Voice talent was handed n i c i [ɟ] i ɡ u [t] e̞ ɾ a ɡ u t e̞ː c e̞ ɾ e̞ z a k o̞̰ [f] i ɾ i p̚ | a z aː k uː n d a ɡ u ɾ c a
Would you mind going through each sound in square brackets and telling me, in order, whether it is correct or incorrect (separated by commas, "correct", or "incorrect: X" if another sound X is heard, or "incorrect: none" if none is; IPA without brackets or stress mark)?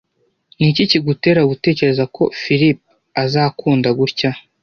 incorrect: c, correct, correct